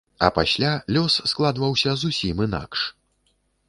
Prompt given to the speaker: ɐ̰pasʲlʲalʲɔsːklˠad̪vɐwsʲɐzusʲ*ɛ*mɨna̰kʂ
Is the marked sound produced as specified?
no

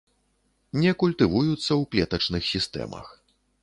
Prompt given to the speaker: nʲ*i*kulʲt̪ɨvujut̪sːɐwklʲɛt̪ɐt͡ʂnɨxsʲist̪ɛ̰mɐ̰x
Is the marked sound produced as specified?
no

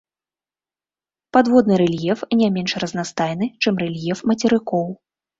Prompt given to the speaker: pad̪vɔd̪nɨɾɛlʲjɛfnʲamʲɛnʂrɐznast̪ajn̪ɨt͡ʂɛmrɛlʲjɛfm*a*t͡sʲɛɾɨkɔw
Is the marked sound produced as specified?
no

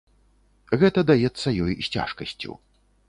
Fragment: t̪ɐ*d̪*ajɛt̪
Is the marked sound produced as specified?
yes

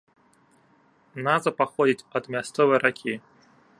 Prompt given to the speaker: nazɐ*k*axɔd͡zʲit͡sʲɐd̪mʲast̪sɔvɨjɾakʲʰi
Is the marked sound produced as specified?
no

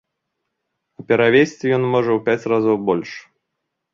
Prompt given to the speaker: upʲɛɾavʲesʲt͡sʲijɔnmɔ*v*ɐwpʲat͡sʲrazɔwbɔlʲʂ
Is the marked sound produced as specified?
no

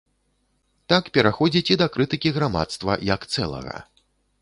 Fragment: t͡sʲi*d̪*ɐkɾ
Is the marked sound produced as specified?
yes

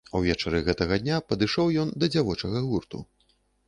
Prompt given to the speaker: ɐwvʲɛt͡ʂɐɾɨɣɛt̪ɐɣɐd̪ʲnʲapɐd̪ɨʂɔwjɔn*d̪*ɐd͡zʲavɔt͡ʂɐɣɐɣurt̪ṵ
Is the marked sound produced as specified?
yes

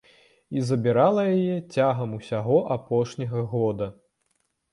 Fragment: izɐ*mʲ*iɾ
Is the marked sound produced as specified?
no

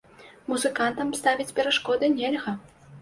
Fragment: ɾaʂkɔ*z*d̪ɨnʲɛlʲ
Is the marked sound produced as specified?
no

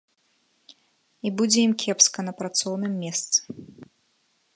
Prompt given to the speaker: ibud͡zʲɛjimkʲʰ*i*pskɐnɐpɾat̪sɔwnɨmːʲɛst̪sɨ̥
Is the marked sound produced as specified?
no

